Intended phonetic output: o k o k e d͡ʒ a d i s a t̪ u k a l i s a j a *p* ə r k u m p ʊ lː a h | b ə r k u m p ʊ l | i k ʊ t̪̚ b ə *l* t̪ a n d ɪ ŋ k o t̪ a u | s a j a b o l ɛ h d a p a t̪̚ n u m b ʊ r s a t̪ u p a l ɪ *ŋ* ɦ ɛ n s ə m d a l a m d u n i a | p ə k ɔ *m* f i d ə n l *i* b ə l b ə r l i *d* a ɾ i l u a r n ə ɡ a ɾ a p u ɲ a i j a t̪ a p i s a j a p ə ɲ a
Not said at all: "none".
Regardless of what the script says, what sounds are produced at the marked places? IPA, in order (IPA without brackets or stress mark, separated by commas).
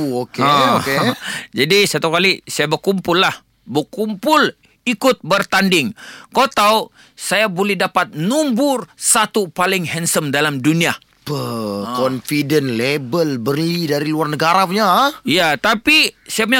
b, r, ŋ, n, e, d